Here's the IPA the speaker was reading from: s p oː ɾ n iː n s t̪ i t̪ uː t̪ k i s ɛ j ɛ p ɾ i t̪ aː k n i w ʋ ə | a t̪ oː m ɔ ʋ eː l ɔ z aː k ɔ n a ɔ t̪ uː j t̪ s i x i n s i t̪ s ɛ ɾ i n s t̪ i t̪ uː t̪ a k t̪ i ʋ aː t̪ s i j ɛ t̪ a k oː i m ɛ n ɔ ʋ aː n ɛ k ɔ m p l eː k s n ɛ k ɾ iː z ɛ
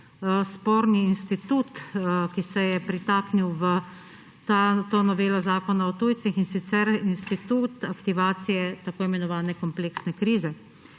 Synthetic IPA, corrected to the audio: s p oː ɾ n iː n s t̪ i t̪ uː t̪ k i s ɛ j ɛ p ɾ i t̪ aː k n i w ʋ ə | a t̪ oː n ɔ ʋ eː l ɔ z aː k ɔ n a ɔ t̪ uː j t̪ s i x i n s i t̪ s ɛ ɾ i n s t̪ i t̪ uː t̪ a k t̪ i ʋ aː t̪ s i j ɛ t̪ a k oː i m ɛ n ɔ ʋ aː n ɛ k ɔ m p l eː k s n ɛ k ɾ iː z ɛ

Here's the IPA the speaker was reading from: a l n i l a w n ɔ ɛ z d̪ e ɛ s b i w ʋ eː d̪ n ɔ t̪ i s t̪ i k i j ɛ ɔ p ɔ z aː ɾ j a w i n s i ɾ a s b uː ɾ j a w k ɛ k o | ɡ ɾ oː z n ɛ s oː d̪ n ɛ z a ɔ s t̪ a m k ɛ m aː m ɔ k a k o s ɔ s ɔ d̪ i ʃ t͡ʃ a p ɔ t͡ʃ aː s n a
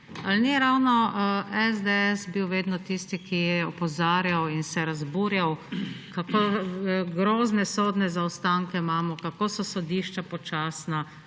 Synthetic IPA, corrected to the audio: a l n i ɾ a w n ɔ ɛ z d̪ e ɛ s b i w ʋ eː d̪ n ɔ t̪ i s t̪ i k i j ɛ ɔ p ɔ z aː ɾ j a w i n s ɛ ɾ a z b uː ɾ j a w k a k o | ɡ ɾ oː z n ɛ s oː d̪ n ɛ z a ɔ s t̪ a ŋ k ɛ m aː m ɔ k a k o s ɔ s ɔ d̪ i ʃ t͡ʃ a p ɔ t͡ʃ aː s n a

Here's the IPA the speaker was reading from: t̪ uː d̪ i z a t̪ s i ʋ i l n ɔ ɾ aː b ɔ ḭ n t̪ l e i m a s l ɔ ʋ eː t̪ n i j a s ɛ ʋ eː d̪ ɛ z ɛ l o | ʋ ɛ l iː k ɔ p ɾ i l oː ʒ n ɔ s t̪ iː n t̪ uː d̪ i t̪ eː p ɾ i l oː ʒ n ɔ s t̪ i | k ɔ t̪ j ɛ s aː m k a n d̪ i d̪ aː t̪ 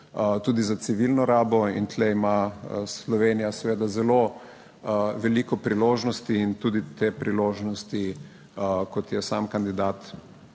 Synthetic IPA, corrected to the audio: t̪ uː d̪ i z a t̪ s i ʋ i l n ɔ ɾ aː b ɔ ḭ n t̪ l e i m a s l ɔ ʋ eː n i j a s ɛ ʋ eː d̪ a z ɛ l o | ʋ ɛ l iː k ɔ p ɾ i l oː ʒ n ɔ s t̪ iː n t̪ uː d̪ i t̪ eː p ɾ i l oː ʒ n ɔ s t̪ i | k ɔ t̪ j ɛ s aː m k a n d̪ i d̪ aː t̪

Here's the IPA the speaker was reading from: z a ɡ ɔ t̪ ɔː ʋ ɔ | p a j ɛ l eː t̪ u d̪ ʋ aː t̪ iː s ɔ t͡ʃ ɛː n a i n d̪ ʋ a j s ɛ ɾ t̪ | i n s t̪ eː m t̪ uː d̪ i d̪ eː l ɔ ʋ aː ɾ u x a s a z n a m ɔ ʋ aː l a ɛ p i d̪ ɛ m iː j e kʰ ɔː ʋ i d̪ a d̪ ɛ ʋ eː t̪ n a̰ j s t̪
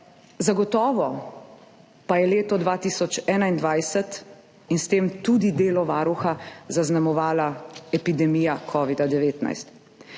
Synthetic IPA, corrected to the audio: z a ɡ ɔ t̪ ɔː ʋ ɔ | p a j ɛ l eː t̪ ɔ d̪ ʋ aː t̪ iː s ɔ t͡ʃ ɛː n a i n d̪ ʋ a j s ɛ t̪ | i n s t̪ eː m t̪ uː d̪ i d̪ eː l ɔ ʋ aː ɾ u x a z a z n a m ɔ ʋ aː l a ɛ p i d̪ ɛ m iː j a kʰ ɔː ʋ i d̪ a d̪ ɛ ʋ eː t̪ n a̰ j s t̪

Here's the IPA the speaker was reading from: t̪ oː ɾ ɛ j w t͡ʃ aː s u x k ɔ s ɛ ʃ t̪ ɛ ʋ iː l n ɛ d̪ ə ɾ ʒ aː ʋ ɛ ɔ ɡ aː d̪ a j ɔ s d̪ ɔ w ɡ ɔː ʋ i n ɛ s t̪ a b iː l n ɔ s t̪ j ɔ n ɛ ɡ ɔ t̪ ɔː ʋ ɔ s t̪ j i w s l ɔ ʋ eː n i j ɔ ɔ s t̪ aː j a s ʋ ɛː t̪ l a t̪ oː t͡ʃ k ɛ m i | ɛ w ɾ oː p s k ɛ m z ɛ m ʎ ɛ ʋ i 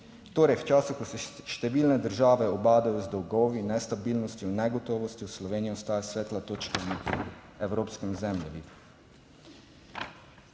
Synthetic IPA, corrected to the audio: t̪ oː ɾ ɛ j w t͡ʃ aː s u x k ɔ s ɛ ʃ t̪ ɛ ʋ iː l n ɛ d̪ ə ɾ ʒ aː ʋ ɛ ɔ b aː d̪ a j ɔ z d̪ ɔ w ɡ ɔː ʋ i n ɛ s t̪ a b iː l n ɔ s t̪ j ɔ n ɛ ɡ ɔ t̪ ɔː ʋ ɔ s t̪ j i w s l ɔ ʋ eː n i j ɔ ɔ s t̪ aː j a s ʋ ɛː t̪ l a t̪ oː t͡ʃ k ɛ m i | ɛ w ɾ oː p s k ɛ m z ɛ m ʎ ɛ ʋ i

